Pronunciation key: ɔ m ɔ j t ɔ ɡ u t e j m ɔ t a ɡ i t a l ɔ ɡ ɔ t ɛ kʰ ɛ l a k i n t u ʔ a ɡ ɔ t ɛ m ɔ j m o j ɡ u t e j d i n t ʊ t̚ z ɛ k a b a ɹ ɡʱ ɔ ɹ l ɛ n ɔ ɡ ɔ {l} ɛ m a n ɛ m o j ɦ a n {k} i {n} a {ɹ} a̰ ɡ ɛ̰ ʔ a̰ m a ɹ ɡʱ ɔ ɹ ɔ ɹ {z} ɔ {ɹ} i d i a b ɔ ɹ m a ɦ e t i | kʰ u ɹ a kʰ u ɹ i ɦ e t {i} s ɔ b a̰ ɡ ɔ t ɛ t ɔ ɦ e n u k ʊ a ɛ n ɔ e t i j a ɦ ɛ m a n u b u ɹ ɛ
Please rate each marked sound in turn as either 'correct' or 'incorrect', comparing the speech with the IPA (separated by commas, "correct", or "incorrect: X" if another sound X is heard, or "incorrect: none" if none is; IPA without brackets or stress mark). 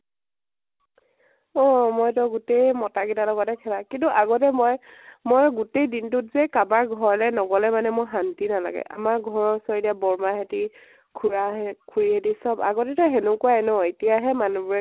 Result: correct, incorrect: t, correct, incorrect: l, incorrect: s, correct, correct